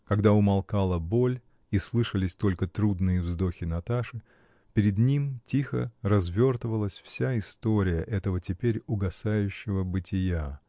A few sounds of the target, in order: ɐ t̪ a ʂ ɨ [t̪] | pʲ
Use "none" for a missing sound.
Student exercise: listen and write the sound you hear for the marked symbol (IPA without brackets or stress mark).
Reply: none